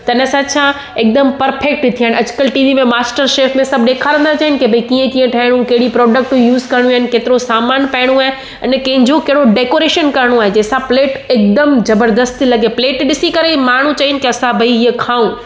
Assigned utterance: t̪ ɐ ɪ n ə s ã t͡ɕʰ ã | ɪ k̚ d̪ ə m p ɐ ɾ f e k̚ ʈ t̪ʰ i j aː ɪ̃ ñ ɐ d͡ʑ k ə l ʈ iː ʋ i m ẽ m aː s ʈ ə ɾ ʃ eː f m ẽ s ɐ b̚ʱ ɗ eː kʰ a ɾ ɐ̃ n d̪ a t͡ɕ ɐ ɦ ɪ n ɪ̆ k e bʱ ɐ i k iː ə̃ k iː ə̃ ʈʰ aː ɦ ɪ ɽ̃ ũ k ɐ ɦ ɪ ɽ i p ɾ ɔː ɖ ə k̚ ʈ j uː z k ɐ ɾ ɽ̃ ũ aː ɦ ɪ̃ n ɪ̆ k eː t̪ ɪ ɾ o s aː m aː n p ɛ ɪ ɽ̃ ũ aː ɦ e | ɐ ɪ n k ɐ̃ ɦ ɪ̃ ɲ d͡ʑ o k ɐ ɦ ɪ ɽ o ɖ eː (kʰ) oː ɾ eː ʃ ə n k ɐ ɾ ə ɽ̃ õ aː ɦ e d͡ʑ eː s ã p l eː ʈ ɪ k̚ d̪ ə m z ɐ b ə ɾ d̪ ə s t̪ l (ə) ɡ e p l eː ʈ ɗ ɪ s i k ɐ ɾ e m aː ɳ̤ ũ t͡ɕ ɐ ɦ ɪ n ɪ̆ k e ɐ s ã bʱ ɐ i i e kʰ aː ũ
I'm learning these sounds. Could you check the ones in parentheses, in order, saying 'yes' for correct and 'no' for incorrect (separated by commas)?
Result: no, no